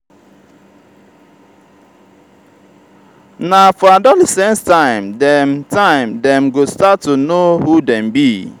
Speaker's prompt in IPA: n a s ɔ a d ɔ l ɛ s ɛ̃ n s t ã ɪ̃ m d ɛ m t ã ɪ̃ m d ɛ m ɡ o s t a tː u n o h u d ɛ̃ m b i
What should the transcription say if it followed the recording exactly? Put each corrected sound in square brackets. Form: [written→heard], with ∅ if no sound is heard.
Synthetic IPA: n a [s→f] ɔ a d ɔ l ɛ s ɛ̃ n s t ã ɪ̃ m d ɛ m t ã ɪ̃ m d ɛ m ɡ o s t a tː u n o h u d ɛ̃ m b i